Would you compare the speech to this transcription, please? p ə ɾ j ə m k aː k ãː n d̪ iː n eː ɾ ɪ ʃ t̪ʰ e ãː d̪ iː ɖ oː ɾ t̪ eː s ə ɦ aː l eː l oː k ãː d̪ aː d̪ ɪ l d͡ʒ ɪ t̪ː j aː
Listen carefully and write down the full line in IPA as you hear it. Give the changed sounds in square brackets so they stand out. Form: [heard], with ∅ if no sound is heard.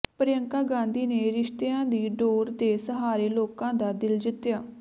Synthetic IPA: p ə ɾ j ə [ŋ] k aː [ɡ] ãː n d̪ iː n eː ɾ ɪ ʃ [t̪] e ãː d̪ iː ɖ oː ɾ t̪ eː s ə ɦ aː [ɾ] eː l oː k ãː d̪ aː d̪ ɪ l d͡ʒ ɪ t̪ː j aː